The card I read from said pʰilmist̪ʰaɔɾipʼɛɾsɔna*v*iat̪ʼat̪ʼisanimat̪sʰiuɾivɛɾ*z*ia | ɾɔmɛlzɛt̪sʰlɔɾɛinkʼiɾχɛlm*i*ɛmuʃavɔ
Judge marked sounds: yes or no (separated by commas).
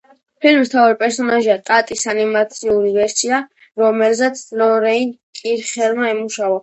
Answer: no, no, no